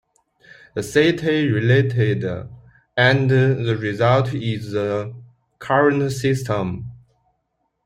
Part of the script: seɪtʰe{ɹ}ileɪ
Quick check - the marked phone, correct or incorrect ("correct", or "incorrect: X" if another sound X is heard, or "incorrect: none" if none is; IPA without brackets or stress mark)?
correct